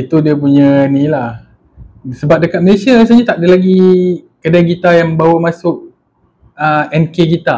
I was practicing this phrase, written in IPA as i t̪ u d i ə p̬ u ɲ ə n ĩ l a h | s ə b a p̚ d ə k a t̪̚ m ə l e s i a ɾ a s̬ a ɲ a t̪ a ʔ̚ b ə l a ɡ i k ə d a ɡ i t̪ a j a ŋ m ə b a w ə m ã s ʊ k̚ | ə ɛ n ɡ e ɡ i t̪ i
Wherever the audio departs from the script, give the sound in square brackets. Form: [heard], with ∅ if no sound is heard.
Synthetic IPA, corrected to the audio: i t̪ u d i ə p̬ u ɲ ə n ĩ l a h | s ə b a p̚ d ə k a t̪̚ m ə l e s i a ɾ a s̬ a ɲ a t̪ a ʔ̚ [d] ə l a ɡ i k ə d a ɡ i t̪ a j a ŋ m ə b a w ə m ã s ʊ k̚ | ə ɛ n [k] e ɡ i t̪ [a]